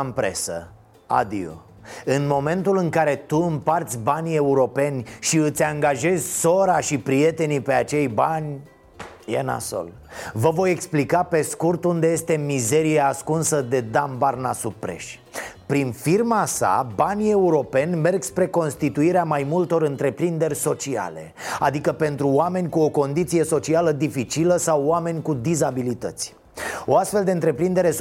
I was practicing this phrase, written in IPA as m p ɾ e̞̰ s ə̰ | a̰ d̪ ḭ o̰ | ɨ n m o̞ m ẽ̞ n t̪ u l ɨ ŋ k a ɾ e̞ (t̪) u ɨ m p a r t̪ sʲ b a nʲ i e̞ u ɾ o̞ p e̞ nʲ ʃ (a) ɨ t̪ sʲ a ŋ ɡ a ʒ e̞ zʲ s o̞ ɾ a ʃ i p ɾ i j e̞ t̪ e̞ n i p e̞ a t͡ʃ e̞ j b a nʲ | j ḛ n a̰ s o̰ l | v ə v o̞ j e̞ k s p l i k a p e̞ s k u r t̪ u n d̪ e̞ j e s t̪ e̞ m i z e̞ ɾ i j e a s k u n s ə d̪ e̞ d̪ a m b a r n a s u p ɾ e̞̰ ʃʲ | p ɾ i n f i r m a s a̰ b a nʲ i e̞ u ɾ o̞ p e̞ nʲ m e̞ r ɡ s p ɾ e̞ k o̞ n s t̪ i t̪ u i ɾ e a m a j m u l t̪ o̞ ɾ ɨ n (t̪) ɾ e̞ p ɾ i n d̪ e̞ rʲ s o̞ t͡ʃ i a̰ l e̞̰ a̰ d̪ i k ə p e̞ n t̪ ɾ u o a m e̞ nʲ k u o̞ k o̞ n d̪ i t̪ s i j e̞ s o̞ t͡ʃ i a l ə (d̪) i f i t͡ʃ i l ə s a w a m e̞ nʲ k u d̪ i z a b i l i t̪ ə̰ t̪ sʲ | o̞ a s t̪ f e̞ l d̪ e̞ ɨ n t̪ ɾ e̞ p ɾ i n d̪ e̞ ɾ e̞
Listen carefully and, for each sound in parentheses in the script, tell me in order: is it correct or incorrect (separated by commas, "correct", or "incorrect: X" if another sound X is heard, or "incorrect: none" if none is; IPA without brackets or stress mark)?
correct, incorrect: i, correct, correct